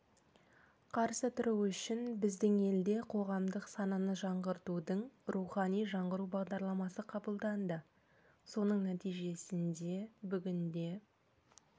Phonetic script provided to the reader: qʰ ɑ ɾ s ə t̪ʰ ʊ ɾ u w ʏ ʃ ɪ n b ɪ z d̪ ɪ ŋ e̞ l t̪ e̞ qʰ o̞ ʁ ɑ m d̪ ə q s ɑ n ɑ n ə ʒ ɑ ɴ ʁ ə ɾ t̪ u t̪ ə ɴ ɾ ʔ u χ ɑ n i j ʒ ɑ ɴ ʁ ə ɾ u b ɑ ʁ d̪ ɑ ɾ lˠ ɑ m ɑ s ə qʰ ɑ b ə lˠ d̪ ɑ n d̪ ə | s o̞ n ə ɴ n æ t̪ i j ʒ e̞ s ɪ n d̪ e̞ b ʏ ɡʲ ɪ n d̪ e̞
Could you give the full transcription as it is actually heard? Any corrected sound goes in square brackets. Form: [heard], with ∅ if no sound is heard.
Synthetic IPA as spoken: qʰ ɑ ɾ s ə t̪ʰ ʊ ɾ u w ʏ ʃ ɪ n b ɪ z d̪ ɪ ŋ e̞ l [d̪] e̞ qʰ o̞ ʁ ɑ m d̪ ə q s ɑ n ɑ n ə ʒ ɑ ɴ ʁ ə ɾ t̪ u [d̪] ə ɴ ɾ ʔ u χ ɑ n i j ʒ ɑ ɴ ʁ ə ɾ u b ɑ ʁ d̪ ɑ ɾ lˠ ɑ m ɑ s ə qʰ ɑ b ə lˠ d̪ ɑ n d̪ ə | s o̞ n ə ɴ n æ t̪ i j ʒ e̞ s ɪ n d̪ e̞ b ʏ ɡʲ ɪ n d̪ e̞